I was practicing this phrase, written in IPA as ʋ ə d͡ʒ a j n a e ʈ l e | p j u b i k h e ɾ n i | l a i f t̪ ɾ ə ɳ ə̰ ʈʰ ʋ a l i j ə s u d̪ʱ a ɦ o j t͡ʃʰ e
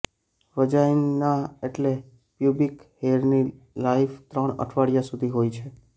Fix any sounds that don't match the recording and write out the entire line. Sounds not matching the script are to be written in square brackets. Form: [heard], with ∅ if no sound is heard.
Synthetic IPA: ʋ ə d͡ʒ a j n a e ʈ l e | p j u b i k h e ɾ n i | l a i f t̪ ɾ ə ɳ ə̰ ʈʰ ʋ a [ɽ] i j [a] s u d̪ʱ [i] ɦ o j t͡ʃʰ e